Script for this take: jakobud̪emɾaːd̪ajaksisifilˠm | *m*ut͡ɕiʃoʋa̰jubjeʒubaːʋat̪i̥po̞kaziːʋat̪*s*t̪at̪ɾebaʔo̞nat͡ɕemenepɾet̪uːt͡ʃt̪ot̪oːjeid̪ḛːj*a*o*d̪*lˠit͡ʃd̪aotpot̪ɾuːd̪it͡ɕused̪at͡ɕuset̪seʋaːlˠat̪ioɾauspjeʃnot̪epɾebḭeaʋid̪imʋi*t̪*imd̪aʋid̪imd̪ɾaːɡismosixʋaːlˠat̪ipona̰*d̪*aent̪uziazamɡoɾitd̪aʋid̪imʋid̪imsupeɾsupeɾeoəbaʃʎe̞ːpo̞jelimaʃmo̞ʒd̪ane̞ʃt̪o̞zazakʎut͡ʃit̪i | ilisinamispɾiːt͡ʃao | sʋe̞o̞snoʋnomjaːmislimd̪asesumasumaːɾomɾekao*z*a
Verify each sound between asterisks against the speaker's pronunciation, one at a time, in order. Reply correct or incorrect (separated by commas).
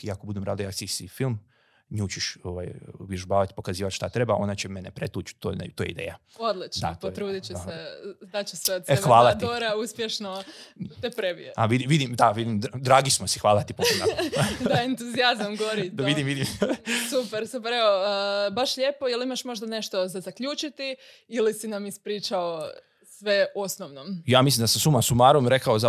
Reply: incorrect, incorrect, correct, correct, incorrect, correct, correct